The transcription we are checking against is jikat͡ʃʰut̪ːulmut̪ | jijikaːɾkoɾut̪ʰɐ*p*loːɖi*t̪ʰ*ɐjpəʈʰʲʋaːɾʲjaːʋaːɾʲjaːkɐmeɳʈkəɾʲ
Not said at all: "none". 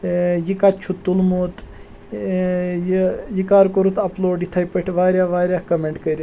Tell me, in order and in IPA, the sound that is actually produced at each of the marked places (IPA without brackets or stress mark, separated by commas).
p, t̪ʰ